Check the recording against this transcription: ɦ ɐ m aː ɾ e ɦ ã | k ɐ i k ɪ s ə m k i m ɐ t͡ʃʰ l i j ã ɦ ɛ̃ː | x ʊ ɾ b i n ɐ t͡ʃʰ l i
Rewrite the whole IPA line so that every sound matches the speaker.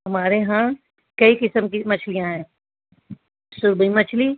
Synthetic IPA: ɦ ɐ m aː ɾ e ɦ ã | k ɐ i k ɪ s ə m k i m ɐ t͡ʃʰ l i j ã ɦ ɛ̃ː | s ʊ ɾ b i m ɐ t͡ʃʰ l i